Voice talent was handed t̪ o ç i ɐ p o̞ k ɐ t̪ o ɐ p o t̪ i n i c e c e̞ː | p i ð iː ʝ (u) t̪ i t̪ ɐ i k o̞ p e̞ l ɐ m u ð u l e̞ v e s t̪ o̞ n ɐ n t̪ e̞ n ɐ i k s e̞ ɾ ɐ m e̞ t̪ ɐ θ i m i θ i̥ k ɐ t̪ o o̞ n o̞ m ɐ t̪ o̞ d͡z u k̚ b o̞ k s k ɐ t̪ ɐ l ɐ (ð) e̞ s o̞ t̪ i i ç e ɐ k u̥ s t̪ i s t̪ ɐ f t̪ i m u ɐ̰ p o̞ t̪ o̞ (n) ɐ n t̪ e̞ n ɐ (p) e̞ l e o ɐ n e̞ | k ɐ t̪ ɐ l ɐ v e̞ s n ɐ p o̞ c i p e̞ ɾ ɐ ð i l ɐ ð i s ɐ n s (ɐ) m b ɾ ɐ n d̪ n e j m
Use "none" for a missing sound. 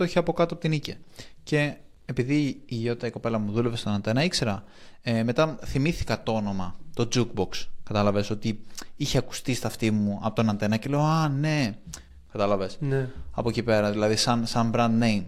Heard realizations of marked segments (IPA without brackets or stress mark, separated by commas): o, v, n, c, ɐ